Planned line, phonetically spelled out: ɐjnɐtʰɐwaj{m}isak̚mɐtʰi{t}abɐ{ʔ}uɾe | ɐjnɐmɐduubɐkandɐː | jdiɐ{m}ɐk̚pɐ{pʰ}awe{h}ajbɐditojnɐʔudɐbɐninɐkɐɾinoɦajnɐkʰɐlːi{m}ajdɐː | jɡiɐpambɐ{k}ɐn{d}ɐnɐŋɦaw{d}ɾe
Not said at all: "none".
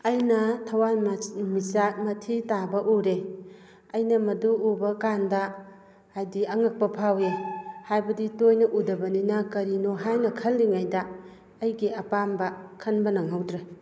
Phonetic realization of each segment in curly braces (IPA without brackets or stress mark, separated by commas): m, t, ʔ, ŋ, pʰ, h, ŋ, kʰ, b, d